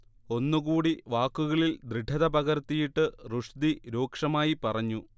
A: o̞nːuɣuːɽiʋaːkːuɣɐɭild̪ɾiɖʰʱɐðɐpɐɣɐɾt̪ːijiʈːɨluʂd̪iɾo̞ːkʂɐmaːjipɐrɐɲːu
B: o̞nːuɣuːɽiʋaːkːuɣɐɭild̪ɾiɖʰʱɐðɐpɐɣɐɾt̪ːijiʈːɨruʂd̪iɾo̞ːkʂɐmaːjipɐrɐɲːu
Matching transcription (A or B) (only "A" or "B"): B